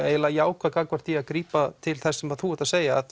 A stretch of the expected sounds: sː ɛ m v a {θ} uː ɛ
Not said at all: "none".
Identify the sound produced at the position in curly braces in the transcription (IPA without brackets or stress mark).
θ